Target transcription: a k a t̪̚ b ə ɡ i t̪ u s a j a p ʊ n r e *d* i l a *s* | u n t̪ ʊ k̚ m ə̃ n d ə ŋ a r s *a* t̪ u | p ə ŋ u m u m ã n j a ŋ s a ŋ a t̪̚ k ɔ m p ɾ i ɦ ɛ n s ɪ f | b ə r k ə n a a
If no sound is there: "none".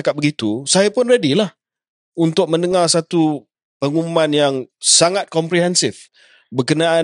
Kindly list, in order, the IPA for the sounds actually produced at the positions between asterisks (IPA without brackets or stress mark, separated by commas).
d, h, a